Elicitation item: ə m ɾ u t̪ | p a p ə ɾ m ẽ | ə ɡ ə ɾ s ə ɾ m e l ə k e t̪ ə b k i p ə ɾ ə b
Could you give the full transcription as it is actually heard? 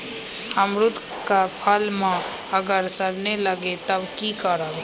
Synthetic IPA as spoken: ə m ɾ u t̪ | k a pʰ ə l m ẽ | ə ɡ ə ɾ s ə ɾ n e l ə ɡ e t̪ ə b k i k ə ɾ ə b